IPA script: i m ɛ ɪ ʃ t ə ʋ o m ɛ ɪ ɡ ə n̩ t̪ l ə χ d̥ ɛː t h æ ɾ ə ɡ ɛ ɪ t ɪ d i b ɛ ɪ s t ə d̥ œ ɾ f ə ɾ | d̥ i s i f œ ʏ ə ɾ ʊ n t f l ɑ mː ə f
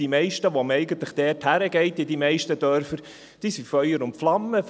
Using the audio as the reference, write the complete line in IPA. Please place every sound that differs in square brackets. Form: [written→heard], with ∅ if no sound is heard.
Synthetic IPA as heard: i m ɛ ɪ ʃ t ə ʋ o m ɛ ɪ ɡ ə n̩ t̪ l ə χ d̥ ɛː t h æ ɾ ə ɡ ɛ ɪ t ɪ d i [b→m] ɛ ɪ [s→ʃ] t ə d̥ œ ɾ f ə ɾ | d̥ i s i f œ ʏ ə ɾ ʊ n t f l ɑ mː ə f

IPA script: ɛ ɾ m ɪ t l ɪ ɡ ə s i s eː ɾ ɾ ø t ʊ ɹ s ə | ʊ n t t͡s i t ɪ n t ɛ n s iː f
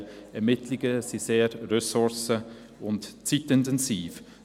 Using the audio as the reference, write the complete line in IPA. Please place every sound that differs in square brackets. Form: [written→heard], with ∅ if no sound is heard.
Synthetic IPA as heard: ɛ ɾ m ɪ t l ɪ ɡ ə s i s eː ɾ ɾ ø [t→s] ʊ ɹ s ə | ʊ n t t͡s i t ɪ n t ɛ n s iː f

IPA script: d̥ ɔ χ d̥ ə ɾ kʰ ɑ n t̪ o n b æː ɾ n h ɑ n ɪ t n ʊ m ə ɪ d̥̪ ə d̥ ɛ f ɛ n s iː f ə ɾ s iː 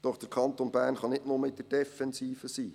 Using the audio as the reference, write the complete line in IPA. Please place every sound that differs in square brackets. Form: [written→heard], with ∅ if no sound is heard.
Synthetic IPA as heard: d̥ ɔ χ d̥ ə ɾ kʰ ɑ n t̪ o n b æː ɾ n [h→χ] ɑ n ɪ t n ʊ m ə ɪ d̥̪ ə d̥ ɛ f ɛ n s iː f ə [ɾ→∅] s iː

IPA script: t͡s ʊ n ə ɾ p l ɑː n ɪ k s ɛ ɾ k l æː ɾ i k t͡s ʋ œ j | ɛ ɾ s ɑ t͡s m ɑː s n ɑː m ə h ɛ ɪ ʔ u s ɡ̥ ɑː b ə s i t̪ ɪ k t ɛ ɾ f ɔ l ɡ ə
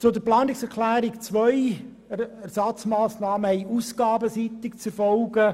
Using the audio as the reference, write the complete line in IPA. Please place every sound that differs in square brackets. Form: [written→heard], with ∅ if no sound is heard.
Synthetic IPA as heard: t͡s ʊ [n→d] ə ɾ p l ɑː n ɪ k s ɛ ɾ k l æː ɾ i k t͡s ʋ œ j | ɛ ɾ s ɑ t͡s m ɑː s n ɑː m ə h ɛ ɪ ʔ u s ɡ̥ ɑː b ə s i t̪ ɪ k [t→t͡s] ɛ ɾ f ɔ l ɡ ə

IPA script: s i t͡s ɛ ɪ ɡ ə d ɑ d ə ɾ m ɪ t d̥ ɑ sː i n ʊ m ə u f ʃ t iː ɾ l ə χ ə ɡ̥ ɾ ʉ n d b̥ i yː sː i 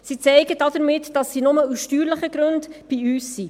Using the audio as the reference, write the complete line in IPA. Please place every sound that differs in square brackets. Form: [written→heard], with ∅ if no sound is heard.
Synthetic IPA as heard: s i t͡s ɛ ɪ ɡ ə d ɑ d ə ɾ m ɪ t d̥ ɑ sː i n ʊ m ə u [f→s] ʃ t [iː→yː] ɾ l ə χ ə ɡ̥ ɾ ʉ n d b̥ i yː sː i

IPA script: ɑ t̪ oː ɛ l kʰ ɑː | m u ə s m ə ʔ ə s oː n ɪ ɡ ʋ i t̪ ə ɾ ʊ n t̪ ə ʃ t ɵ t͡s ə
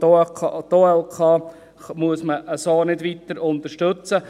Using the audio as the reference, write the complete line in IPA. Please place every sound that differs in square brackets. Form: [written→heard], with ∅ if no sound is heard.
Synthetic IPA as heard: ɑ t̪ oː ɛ l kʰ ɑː | m u ə s m ə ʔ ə s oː n ɪ [ɡ→d] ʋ i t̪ ə ɾ ʊ n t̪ ə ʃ t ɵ t͡s ə

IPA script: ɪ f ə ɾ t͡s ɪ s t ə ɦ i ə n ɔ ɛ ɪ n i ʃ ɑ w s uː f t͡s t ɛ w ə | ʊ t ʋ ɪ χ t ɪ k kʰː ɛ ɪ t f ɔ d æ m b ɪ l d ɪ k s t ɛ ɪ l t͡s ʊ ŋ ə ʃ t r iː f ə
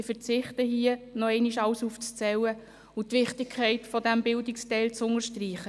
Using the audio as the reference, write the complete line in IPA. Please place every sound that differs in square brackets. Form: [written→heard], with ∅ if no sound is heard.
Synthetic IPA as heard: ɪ f ə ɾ t͡s ɪ [s→χ] t ə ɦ i ə n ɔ ɛ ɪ n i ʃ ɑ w s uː f t͡s [t→t͡s] ɛ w ə | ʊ t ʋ ɪ χ t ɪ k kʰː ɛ ɪ t f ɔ d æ m b ɪ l d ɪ k s t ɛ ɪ l t͡s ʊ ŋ ə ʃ t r iː [f→χ] ə

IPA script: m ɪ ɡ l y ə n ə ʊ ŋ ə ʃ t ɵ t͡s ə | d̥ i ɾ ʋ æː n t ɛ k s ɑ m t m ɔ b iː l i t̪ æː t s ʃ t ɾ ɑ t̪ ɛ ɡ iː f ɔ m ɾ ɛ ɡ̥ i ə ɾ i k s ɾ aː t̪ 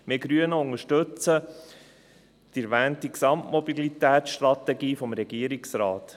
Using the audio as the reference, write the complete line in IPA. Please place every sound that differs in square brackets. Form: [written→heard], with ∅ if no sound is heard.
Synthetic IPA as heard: m ɪ ɡ [l→ɾ] y ə n ə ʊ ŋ ə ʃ t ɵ t͡s ə | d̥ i ɾ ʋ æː n t [ɛ→i] k s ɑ m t m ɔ b [iː→i] l i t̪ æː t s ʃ t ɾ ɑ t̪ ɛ ɡ iː f ɔ m ɾ ɛ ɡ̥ i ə ɾ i k s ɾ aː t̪

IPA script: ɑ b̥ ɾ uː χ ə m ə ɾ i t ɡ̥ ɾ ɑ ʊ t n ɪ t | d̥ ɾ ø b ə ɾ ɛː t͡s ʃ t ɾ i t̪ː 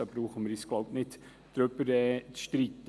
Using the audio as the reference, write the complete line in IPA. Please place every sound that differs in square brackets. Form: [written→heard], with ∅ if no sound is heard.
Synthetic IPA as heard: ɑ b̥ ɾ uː χ ə m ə ɾ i [t→s] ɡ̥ [ɾ→l] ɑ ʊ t n ɪ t | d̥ ɾ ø b ə ɾ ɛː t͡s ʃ t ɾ i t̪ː

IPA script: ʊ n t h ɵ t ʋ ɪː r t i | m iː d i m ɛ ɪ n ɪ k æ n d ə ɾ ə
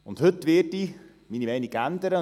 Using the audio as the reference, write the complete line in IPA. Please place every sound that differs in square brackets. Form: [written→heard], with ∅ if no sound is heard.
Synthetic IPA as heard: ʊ n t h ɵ t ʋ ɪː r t i | m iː [d→n] i m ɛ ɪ n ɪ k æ n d ə ɾ ə

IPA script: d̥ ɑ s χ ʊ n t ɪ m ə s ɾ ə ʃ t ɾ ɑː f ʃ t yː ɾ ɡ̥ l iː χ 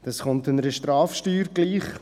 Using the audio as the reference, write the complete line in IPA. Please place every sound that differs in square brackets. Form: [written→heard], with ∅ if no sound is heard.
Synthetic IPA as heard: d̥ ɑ s χ ʊ n t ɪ [m→n] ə [s→∅] ɾ ə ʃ t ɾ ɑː f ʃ t yː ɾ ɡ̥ l iː χ

